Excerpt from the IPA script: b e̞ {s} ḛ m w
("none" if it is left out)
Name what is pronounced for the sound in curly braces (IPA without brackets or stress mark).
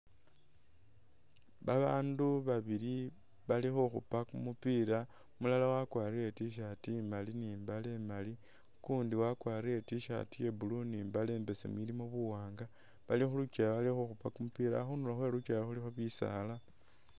s